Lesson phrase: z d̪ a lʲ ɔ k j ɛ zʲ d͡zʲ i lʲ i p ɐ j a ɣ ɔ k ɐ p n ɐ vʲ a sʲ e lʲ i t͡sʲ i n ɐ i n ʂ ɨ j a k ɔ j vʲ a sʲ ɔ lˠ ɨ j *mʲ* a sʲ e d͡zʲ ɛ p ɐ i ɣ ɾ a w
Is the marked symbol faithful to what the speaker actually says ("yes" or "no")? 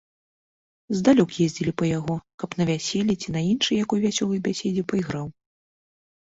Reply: no